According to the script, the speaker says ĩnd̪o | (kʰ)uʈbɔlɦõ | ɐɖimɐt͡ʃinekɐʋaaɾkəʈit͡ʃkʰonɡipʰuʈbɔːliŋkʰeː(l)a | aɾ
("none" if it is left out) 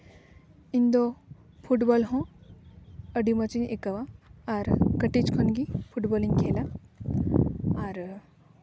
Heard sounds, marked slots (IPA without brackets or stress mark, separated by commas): pʰ, l